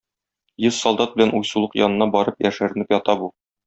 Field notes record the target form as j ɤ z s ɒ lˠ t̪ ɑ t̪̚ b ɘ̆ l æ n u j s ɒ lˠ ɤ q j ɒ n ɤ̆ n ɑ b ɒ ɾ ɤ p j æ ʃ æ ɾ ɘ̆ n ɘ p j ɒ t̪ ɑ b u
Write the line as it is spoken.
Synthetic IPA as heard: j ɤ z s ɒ lˠ d̪ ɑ t̪̚ b ɘ̆ l æ n u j s u lˠ ɤ q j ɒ n ɤ̆ n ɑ b ɒ ɾ ɤ p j æ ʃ æ ɾ ɘ̆ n ɘ p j ɒ t̪ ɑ b u